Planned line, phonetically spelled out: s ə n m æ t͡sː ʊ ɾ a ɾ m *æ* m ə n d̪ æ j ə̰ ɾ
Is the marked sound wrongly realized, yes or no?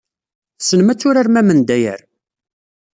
no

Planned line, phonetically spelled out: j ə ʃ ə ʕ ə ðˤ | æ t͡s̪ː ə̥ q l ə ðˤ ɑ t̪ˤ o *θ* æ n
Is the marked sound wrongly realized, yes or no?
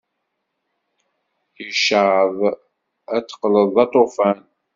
yes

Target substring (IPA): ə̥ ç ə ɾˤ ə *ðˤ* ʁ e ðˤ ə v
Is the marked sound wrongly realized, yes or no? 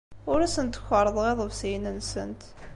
no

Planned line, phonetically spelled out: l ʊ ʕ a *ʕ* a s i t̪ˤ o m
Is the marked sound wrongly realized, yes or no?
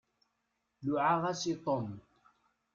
yes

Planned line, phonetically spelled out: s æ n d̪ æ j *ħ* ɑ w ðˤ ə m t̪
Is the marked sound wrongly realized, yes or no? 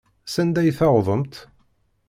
yes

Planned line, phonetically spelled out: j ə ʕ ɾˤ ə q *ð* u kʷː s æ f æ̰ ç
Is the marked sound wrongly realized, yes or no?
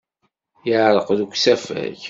no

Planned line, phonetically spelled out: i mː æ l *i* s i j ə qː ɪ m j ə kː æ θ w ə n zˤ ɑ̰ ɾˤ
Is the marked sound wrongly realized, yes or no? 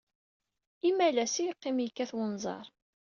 yes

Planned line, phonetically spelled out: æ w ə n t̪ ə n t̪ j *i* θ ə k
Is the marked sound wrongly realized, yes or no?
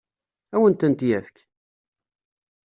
yes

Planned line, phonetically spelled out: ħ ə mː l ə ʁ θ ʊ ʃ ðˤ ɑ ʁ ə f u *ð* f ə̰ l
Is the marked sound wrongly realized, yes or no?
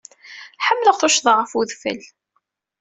no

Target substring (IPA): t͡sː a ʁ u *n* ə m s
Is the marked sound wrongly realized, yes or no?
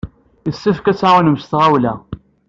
no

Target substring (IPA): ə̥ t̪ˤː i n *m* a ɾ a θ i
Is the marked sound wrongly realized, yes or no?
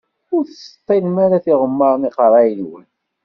no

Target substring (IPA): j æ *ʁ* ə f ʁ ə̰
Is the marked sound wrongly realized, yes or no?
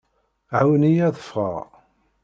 yes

